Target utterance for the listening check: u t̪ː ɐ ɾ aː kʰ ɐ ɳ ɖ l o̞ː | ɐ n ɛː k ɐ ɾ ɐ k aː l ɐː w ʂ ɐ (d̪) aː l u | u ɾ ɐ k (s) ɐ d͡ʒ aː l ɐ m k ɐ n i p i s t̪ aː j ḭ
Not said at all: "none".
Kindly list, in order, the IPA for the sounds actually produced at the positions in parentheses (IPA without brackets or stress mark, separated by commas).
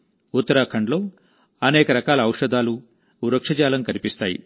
d̪, ʂ